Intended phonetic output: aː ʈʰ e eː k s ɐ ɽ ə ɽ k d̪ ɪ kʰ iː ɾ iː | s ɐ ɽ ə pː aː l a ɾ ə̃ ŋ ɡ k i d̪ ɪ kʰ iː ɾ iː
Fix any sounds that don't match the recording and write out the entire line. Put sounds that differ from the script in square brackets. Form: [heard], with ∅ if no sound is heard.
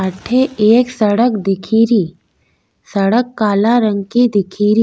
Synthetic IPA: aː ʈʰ e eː k s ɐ ɽ ə [∅] k d̪ ɪ kʰ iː ɾ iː | s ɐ ɽ ə [kː] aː l a ɾ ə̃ ŋ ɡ k i d̪ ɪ kʰ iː ɾ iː